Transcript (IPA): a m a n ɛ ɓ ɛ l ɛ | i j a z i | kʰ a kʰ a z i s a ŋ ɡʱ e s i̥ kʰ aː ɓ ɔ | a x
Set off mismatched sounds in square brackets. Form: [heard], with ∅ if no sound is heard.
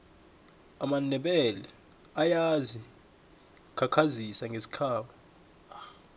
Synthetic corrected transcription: a m a n ɛ ɓ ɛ l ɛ | [a] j a z i | kʰ a kʰ a z i s a ŋ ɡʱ e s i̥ kʰ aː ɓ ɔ | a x